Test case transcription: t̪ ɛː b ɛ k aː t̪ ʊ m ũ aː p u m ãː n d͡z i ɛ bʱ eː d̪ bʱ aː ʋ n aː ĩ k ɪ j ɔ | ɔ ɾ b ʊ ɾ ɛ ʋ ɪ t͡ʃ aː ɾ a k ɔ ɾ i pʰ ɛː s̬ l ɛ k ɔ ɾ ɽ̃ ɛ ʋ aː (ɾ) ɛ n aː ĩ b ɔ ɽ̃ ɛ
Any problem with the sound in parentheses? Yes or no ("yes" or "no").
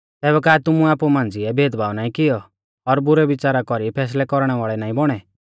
yes